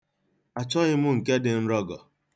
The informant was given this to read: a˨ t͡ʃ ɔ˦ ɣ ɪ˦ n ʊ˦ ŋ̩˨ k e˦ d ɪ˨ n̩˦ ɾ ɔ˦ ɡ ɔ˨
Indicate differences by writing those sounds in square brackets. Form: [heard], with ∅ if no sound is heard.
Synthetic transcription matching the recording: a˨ t͡ʃ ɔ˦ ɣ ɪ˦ [m] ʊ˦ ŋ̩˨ k e˦ d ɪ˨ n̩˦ ɾ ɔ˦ ɡ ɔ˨